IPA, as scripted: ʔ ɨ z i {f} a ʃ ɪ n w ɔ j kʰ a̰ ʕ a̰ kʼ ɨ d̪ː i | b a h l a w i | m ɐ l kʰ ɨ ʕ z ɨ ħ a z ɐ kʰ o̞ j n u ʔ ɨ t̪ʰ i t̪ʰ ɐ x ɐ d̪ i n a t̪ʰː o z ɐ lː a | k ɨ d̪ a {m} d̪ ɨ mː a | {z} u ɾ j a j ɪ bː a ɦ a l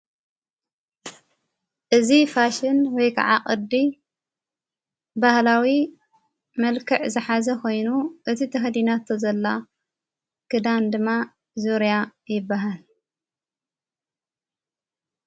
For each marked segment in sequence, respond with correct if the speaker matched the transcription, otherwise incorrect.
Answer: correct, incorrect: n, correct

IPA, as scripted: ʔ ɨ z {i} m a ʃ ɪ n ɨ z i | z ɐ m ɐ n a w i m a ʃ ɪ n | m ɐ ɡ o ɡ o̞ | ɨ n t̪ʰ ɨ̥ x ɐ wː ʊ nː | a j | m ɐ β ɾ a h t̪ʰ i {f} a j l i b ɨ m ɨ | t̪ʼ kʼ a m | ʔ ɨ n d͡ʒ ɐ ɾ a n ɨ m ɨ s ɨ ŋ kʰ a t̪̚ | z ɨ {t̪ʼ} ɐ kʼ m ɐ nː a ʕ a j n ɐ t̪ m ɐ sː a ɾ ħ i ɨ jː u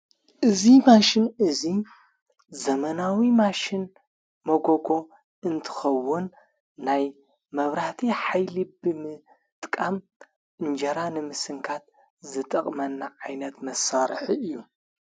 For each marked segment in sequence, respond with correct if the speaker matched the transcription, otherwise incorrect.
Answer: correct, incorrect: ħ, correct

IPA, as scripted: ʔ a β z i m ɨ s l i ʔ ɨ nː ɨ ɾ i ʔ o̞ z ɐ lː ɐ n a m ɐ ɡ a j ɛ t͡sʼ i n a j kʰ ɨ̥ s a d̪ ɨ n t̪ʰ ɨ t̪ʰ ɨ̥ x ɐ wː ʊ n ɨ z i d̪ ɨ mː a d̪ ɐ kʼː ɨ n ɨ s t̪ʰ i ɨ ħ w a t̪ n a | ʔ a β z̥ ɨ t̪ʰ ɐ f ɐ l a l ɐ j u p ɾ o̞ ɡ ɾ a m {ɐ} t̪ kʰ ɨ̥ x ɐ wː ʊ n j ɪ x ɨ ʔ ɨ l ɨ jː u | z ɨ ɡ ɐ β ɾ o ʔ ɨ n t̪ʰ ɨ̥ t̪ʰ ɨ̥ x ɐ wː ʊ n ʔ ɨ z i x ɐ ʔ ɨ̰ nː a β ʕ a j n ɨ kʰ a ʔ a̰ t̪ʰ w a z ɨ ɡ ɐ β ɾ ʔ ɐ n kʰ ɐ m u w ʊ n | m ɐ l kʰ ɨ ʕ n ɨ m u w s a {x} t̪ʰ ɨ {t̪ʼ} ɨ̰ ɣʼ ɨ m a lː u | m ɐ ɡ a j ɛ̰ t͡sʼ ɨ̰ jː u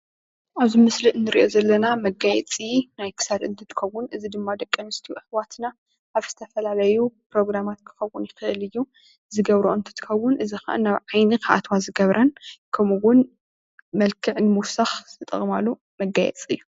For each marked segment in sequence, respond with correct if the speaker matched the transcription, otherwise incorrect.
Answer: incorrect: a, correct, correct

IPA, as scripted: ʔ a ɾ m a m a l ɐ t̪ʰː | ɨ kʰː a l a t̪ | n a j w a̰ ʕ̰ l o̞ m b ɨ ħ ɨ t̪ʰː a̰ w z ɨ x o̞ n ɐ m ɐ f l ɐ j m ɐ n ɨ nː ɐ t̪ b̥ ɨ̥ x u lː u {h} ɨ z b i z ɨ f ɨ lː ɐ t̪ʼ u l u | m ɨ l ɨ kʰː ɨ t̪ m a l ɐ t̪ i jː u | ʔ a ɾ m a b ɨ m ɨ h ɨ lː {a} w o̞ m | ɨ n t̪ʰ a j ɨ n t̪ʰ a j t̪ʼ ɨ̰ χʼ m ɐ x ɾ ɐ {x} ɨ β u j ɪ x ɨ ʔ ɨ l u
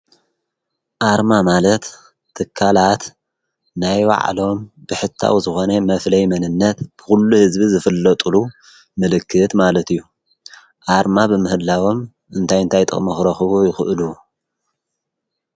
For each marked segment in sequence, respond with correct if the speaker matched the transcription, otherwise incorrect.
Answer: correct, correct, correct

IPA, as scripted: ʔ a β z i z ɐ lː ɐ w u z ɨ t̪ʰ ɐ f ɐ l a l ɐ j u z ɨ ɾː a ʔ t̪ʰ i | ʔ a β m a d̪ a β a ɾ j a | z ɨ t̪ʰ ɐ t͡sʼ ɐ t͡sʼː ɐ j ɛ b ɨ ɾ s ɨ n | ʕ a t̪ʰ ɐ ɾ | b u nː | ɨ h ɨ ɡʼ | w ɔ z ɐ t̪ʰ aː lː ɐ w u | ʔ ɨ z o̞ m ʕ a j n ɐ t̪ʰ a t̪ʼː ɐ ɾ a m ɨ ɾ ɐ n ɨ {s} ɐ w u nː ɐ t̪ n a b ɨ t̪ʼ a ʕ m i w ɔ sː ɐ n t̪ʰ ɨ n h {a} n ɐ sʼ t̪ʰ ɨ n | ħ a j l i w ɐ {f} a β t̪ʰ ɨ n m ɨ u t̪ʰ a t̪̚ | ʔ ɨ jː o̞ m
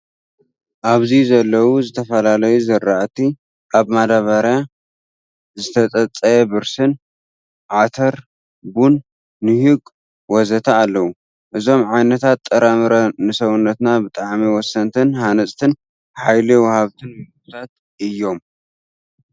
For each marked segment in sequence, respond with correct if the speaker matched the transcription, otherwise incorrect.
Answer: correct, correct, incorrect: h

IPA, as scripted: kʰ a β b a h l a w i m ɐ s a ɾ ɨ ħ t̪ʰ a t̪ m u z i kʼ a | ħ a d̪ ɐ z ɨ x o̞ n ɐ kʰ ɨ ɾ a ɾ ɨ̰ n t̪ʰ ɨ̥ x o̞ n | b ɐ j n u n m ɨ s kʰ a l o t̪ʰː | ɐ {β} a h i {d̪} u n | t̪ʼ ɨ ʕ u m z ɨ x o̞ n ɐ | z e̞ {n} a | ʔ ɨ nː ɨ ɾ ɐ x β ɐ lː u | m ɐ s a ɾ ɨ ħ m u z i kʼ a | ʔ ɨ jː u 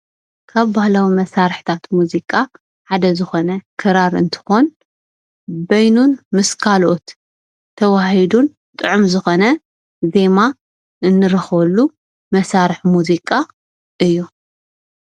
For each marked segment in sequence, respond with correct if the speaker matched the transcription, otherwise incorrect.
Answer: incorrect: w, correct, incorrect: m

